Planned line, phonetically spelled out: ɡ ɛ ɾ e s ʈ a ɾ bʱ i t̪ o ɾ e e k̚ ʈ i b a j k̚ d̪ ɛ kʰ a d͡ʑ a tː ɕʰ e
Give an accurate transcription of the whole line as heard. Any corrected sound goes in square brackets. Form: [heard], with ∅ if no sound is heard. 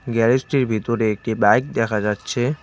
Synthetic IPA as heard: ɡ ɛ ɾ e s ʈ [i] ɾ bʱ i t̪ o ɾ e e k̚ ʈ i b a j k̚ d̪ ɛ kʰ a d͡ʑ a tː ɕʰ e